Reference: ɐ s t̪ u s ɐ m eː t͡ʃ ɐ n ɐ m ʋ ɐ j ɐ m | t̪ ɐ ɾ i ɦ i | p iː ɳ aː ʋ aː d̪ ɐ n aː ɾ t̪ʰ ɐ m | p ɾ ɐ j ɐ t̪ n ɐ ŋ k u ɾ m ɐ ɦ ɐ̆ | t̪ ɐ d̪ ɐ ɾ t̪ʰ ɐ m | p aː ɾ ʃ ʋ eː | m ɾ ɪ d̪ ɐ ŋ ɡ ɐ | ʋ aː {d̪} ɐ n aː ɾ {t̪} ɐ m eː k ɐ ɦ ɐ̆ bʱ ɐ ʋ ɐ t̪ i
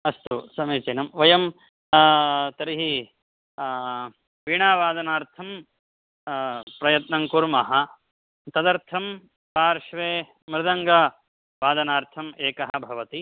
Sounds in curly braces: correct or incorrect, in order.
correct, incorrect

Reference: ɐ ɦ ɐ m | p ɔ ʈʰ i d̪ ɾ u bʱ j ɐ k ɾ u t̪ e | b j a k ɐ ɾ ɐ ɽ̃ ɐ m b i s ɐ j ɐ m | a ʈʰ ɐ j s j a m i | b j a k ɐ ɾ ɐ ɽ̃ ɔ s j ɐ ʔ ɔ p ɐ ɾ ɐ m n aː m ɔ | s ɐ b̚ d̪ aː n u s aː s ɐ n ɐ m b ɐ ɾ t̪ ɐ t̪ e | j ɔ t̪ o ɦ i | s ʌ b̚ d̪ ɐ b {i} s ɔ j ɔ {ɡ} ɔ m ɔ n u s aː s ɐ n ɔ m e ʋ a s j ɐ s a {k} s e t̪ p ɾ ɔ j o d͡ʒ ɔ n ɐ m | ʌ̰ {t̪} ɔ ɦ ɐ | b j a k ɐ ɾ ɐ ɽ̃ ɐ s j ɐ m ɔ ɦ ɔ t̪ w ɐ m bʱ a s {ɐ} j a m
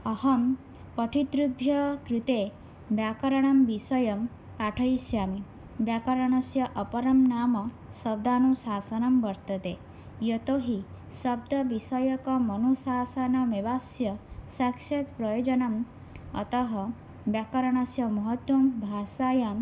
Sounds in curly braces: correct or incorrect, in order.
correct, incorrect, correct, correct, incorrect

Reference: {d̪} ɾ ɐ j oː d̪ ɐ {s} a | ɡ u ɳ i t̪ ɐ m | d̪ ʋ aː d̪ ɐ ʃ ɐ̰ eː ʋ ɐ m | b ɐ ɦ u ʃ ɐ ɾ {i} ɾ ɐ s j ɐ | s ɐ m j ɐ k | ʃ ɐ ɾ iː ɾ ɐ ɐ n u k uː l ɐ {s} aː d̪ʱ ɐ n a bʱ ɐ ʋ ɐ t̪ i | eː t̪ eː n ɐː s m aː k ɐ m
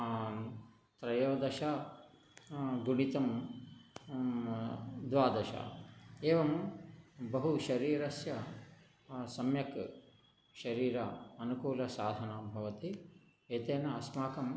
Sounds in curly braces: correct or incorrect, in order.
incorrect, incorrect, incorrect, correct

